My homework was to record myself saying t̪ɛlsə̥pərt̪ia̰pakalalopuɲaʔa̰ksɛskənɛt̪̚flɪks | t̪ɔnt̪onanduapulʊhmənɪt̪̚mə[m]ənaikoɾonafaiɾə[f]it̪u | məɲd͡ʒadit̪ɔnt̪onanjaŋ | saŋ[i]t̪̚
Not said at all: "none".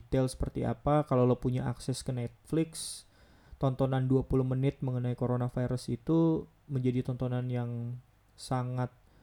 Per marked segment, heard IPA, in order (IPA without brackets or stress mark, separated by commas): ŋ, s, a